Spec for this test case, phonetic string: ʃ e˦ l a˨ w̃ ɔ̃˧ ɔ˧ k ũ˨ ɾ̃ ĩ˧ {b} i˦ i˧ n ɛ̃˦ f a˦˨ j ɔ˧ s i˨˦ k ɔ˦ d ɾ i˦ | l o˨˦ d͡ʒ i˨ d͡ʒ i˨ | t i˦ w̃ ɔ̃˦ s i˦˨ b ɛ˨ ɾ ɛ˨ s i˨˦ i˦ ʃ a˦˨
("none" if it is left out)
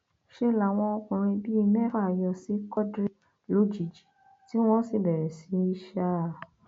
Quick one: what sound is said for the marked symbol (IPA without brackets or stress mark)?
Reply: b